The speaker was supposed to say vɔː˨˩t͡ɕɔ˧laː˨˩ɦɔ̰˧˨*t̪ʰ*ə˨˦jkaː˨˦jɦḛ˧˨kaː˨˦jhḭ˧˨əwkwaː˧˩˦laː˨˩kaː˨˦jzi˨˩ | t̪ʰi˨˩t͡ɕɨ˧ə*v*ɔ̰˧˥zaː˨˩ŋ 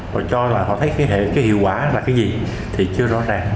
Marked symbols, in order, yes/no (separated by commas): yes, no